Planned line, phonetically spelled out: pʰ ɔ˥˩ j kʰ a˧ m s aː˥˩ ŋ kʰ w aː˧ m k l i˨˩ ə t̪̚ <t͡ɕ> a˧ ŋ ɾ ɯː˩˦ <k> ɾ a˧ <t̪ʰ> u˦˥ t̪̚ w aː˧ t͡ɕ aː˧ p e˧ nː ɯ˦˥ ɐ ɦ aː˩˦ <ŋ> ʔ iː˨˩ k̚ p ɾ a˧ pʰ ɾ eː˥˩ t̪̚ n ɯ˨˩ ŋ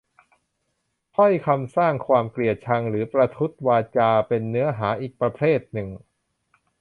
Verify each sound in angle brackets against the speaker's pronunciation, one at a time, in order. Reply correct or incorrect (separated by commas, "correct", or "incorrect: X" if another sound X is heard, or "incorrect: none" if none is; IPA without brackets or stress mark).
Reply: incorrect: t͡ɕʰ, incorrect: p, correct, incorrect: none